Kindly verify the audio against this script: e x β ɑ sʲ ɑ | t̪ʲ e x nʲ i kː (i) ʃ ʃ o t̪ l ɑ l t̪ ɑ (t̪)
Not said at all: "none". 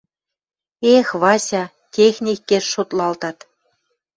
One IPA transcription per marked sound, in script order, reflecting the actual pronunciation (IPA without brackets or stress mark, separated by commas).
e, t̪